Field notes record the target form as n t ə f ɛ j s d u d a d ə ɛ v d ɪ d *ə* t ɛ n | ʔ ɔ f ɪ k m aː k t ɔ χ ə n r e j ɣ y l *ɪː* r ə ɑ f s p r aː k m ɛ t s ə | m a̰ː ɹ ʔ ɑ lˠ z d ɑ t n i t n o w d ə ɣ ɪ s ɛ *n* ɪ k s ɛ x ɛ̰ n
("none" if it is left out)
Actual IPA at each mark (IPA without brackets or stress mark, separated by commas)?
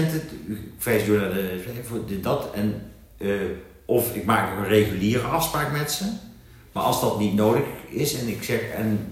ɑ, iː, n